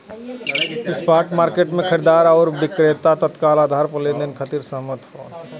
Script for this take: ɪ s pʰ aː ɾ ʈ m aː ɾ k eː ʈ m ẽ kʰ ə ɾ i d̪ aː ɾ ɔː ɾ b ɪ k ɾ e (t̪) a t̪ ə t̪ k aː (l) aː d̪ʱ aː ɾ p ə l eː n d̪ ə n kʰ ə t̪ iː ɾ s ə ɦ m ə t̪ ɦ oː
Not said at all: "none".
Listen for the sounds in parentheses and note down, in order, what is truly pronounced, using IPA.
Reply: t̪, l

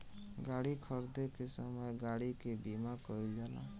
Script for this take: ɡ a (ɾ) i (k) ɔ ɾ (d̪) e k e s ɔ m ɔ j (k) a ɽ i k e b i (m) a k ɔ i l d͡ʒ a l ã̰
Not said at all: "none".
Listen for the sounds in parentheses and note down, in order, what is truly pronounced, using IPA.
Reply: ɽ, kʰ, d̪, ɡ, m

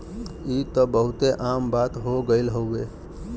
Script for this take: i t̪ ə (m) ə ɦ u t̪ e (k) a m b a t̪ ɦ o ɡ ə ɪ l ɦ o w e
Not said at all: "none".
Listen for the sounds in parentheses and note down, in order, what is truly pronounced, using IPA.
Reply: b, ʔ

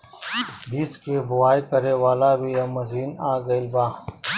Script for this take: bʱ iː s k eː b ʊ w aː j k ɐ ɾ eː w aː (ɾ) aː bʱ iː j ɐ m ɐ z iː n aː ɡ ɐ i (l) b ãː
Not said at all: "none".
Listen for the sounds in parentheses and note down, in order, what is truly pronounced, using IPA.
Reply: l, l

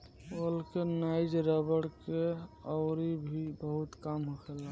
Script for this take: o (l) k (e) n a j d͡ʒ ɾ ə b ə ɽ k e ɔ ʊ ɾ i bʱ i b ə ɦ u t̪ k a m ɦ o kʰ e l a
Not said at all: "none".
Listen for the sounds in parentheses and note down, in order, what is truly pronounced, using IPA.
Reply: l, e

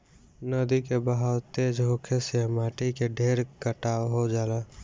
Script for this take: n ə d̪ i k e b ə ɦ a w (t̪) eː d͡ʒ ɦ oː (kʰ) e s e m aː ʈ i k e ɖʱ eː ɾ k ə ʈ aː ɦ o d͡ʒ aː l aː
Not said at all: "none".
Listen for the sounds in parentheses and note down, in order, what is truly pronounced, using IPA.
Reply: t̪, kʰ

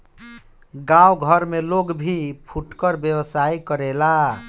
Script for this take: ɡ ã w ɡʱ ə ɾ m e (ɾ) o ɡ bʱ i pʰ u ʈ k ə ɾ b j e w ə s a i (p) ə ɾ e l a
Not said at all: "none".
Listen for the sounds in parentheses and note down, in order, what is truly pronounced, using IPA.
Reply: l, k

